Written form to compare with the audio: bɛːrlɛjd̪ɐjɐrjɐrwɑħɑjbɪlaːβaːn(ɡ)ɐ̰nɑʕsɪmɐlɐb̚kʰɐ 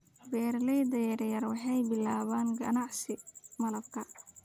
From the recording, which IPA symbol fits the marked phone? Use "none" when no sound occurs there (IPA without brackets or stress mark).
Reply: ɡ